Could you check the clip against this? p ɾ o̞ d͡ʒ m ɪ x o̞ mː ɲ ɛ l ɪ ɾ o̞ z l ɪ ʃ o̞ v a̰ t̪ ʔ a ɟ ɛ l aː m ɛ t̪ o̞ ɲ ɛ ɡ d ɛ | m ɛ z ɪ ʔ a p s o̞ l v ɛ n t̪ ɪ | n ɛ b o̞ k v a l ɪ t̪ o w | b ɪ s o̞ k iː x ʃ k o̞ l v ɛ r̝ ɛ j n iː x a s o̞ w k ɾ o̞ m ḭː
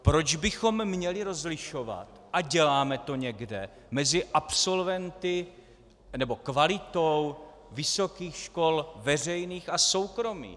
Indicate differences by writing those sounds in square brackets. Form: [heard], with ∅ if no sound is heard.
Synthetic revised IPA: p ɾ o̞ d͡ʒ [b] ɪ x o̞ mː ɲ ɛ l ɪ ɾ o̞ z l ɪ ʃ o̞ v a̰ t̪ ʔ a ɟ ɛ l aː m ɛ t̪ o̞ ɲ ɛ ɡ d ɛ | m ɛ z ɪ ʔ a p s o̞ l v ɛ n t̪ ɪ | n ɛ b o̞ k v a l ɪ t̪ o w | [v] ɪ s o̞ k iː x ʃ k o̞ l v ɛ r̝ ɛ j n iː x a s o̞ w k ɾ o̞ m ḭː